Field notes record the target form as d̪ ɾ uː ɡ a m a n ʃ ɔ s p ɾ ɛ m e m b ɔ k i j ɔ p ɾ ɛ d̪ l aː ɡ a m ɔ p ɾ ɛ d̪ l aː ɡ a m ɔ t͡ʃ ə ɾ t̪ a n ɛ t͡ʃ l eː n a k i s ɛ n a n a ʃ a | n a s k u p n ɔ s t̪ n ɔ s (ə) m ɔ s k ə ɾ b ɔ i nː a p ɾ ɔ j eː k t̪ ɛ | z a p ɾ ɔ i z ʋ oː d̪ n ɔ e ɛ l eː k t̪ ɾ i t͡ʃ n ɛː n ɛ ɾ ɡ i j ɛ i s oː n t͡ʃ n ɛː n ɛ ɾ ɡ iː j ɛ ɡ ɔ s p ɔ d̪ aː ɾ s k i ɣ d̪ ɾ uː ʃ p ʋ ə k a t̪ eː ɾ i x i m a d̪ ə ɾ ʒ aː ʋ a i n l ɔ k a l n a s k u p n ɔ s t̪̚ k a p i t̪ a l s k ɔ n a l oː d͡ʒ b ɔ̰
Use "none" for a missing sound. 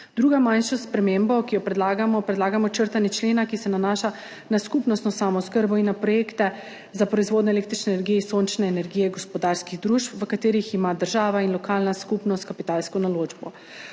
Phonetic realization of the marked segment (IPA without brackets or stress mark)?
a